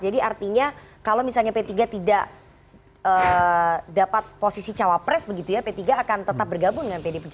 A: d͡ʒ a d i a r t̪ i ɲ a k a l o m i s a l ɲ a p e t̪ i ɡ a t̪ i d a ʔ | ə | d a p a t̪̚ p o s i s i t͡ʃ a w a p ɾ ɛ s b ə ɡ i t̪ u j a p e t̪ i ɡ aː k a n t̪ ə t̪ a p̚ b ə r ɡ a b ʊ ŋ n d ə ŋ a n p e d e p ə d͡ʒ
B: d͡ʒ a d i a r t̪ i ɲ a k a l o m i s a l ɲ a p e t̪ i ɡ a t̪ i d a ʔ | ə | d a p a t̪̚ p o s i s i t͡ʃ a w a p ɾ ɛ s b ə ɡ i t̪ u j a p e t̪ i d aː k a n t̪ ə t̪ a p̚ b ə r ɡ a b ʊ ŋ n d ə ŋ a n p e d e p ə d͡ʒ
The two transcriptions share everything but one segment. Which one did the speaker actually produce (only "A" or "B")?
A